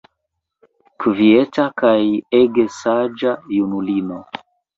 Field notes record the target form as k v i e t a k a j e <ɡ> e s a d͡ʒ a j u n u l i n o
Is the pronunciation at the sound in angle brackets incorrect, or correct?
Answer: correct